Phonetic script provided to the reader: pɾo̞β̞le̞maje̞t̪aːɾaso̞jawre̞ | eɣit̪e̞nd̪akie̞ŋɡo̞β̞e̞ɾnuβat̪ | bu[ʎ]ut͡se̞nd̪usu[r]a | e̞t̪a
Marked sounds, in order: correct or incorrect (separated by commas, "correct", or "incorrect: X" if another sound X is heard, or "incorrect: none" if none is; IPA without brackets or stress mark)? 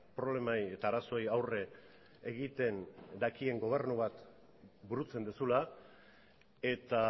incorrect: ɾ, incorrect: l